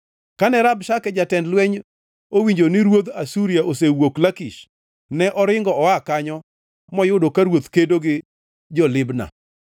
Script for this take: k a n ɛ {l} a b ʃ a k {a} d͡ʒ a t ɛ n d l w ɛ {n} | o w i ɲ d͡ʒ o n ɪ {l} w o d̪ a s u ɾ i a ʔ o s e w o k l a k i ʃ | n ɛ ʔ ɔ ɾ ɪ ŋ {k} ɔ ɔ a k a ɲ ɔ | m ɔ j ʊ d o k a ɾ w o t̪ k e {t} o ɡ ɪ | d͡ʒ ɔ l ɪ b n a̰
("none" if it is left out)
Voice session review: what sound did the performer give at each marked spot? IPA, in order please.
ɾ, ɛ, ɲ, ɾ, ɡ, d

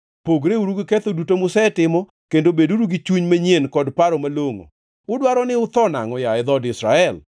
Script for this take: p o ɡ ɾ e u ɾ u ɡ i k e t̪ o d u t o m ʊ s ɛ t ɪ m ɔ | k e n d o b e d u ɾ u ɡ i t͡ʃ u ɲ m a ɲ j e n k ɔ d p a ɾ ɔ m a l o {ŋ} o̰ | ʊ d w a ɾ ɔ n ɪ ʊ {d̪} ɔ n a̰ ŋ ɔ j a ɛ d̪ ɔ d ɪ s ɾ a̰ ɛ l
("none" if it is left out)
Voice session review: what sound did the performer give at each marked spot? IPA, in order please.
ŋ, t̪

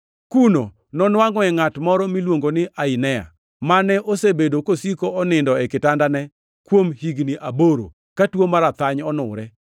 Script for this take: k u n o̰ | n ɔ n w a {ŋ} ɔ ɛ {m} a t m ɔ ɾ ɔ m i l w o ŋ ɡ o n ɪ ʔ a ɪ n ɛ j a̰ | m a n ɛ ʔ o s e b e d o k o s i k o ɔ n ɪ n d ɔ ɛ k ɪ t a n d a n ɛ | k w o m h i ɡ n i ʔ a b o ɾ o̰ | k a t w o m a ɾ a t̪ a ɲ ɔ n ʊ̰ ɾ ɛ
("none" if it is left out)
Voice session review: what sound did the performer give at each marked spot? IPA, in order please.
ŋ, ŋ

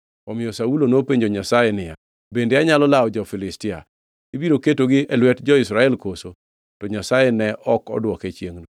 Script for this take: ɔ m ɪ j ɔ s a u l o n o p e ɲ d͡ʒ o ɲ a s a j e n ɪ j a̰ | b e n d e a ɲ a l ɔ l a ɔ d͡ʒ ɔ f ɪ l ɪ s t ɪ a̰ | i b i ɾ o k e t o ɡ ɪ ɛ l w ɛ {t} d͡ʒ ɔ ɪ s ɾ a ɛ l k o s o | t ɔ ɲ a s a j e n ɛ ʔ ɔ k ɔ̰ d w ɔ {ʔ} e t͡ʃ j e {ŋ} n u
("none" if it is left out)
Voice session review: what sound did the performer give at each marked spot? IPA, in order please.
t, k, ŋ

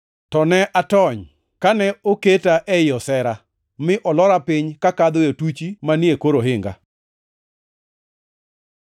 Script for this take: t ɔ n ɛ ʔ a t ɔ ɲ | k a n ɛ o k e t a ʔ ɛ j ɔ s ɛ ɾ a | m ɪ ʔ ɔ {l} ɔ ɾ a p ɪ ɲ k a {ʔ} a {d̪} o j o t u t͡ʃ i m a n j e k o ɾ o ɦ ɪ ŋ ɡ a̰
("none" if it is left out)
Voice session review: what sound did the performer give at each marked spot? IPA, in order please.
l, k, d̪

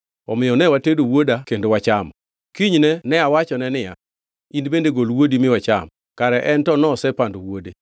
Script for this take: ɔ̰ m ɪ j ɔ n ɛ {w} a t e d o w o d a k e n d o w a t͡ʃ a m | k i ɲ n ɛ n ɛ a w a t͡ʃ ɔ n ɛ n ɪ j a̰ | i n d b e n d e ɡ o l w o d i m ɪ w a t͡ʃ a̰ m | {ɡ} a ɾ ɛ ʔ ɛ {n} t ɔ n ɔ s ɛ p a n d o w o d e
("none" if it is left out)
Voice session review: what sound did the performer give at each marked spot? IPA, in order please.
w, k, n

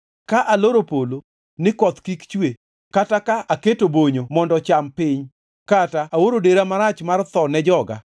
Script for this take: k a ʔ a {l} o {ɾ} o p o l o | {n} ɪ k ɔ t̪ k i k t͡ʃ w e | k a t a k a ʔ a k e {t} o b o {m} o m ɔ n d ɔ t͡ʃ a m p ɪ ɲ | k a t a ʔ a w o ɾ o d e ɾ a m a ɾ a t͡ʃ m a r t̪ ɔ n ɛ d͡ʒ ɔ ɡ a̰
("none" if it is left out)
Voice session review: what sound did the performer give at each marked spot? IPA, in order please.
l, ɾ, n, t, ɲ

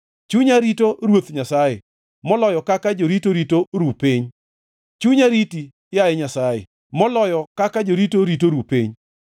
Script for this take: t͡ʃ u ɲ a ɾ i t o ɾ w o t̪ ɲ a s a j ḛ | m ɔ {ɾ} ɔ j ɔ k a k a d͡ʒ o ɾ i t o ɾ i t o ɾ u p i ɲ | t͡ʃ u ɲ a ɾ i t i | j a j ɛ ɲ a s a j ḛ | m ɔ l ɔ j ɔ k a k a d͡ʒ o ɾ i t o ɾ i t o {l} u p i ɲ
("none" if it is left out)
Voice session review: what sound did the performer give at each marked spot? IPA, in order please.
l, ɾ

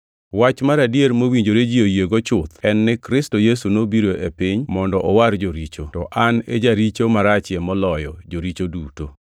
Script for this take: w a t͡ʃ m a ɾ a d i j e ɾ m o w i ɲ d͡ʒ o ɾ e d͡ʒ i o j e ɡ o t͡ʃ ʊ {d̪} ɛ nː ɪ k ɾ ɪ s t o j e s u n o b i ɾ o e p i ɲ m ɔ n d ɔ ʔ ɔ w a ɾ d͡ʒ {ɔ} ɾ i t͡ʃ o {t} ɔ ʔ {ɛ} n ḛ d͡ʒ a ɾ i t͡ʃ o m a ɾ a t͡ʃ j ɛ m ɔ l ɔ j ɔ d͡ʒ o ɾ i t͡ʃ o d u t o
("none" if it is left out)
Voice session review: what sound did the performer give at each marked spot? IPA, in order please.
t̪, o, t, a

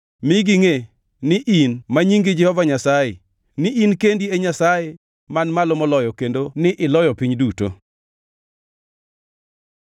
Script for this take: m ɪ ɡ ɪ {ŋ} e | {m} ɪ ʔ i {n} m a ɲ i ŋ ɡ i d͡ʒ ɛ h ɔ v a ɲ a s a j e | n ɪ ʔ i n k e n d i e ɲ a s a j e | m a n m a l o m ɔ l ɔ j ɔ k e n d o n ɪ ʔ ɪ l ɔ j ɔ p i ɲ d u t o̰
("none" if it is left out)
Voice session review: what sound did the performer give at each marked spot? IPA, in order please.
ŋ, n, n

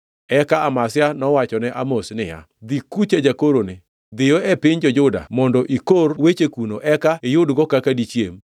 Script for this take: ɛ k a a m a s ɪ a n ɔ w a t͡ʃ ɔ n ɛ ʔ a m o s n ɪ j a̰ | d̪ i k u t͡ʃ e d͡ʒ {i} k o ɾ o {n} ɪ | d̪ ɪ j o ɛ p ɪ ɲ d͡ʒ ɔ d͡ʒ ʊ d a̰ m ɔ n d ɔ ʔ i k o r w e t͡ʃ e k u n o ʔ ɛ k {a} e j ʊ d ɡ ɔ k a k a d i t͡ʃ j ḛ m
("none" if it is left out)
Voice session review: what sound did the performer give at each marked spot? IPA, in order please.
a, n, a

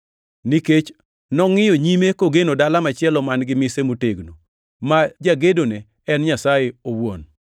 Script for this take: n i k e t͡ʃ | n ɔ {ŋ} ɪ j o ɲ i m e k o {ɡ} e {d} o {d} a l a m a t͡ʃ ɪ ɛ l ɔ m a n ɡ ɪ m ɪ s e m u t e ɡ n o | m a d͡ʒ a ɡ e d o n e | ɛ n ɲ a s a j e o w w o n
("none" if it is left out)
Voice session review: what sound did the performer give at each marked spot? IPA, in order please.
ŋ, ɡ, n, d

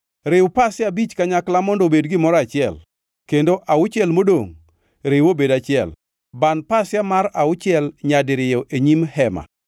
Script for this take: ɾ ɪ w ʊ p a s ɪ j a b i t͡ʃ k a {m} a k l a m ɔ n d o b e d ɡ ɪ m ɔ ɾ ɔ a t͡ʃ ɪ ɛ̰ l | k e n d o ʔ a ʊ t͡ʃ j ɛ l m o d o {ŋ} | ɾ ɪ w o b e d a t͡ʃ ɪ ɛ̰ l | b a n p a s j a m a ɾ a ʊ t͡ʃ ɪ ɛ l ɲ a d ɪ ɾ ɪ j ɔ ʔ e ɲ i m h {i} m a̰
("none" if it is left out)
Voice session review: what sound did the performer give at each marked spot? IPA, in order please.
ɲ, ŋ, ɛ

